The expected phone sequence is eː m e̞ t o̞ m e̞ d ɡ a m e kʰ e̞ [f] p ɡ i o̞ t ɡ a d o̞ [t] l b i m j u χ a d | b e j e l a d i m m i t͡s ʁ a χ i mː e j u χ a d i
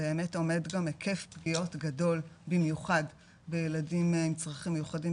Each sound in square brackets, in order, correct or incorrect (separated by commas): correct, incorrect